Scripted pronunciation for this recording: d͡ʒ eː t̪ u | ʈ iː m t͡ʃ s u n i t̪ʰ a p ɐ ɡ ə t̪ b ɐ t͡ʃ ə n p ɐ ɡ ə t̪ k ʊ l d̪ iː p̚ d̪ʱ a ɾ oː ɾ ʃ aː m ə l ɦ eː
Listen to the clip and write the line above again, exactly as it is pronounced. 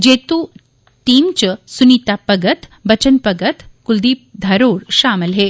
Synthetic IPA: d͡ʒ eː t̪ u | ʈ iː m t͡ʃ s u n i t̪ a p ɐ ɡ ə t̪ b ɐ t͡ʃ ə n p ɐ ɡ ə t̪ k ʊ l d̪ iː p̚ d̪ʱ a ɾ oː ɾ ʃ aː m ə l ɦ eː